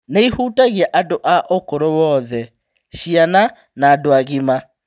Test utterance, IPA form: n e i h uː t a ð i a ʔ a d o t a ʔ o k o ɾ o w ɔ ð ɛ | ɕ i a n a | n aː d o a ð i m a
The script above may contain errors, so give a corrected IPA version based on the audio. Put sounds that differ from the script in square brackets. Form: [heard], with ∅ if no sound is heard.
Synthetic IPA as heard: n e i h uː t a [ɣ] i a ʔ a d o [ʔ] a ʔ o k o ɾ o w ɔ ð ɛ | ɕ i a n a | n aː d o a [ɣ] i m a